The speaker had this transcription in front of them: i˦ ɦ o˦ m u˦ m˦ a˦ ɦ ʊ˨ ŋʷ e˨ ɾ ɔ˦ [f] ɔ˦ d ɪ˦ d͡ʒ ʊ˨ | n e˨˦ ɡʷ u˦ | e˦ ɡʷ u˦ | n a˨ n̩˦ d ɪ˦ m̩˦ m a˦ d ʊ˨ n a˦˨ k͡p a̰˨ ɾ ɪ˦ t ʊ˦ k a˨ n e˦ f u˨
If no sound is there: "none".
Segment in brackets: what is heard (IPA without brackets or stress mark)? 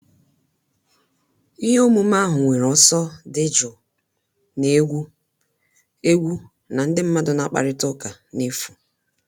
s